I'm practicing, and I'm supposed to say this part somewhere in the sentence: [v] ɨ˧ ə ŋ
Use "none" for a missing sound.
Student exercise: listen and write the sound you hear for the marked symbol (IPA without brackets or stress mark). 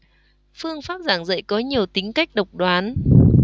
f